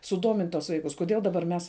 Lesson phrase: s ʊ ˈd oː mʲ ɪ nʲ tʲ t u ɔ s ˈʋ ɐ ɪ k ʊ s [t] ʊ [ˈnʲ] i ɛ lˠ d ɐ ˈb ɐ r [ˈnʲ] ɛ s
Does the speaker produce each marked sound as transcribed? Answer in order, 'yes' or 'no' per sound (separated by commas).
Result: no, no, no